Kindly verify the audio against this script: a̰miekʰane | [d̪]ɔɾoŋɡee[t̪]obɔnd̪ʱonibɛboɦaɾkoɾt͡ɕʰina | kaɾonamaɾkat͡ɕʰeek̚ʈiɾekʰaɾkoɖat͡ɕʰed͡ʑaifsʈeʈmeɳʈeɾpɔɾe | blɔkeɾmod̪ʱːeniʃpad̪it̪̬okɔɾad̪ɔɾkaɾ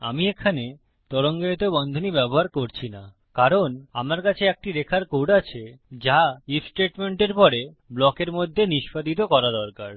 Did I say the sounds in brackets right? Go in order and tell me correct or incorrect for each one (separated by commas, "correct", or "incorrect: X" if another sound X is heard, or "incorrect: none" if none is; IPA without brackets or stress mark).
incorrect: t̪, correct